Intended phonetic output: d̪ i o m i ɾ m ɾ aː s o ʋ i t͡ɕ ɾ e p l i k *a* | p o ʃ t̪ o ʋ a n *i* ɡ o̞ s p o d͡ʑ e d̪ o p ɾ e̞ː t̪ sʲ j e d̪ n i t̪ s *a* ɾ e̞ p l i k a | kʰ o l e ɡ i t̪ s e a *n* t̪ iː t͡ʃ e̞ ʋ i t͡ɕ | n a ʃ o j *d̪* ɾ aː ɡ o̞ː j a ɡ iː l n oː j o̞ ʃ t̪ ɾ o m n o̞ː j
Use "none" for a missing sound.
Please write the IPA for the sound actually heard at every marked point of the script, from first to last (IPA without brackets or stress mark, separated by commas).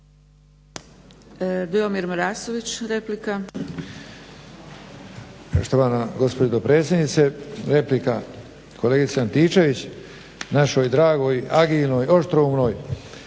a, a, e, n, d̪